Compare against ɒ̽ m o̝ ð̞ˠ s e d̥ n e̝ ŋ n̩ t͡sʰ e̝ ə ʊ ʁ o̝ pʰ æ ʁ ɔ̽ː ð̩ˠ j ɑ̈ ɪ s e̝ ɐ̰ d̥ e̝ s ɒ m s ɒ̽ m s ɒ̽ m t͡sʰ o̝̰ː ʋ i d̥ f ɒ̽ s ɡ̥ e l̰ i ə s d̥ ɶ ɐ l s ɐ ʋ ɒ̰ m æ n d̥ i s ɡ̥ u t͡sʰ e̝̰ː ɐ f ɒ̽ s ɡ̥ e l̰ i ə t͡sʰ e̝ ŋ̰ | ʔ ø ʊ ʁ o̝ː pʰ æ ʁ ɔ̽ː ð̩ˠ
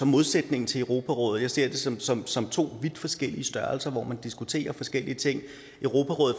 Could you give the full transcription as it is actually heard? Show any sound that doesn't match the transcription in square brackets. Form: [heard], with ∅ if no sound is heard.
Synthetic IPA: ɒ̽ m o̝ ð̞ˠ s e d̥ n e̝ ŋ n̩ t͡sʰ e̝ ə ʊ ʁ o̝ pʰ æ ʁ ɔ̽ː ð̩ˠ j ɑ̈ ɪ s e̝ ɐ̰ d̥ e̝ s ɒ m s ɒ̽ m s ɒ̽ m t͡sʰ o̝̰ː ʋ i d̥ f ɒ̽ s ɡ̥ e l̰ i ə s d̥ ɶ ɐ l s ɐ ʋ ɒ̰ m æ n d̥ i s ɡ̥ u t͡sʰ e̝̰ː ɐ f ɒ̽ s ɡ̥ e l̰ i ə t͡sʰ e̝ ŋ̰ | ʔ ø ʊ ʁ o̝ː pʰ æ ʁ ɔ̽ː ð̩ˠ